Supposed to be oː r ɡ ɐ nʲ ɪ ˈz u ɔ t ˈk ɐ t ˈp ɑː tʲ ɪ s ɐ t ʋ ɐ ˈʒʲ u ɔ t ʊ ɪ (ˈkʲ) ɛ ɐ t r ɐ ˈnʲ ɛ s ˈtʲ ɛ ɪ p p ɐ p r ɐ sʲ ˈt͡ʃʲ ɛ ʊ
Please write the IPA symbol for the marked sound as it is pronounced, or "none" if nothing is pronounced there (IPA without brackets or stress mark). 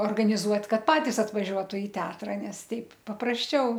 tʲ